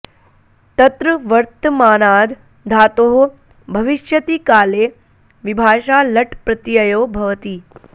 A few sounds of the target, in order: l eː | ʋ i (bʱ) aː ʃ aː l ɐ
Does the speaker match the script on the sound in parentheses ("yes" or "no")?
yes